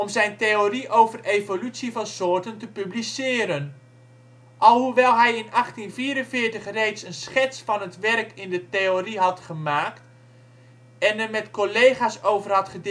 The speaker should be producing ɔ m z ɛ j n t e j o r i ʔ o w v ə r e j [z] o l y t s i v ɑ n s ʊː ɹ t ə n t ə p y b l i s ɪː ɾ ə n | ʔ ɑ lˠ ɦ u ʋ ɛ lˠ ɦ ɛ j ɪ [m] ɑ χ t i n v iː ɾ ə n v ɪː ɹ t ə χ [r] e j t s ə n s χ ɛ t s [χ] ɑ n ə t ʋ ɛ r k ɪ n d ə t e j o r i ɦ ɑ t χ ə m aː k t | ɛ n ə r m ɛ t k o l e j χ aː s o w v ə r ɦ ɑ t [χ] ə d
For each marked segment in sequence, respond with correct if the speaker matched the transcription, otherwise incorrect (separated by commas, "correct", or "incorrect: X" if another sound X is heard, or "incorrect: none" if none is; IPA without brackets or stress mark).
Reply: incorrect: v, incorrect: n, correct, incorrect: f, correct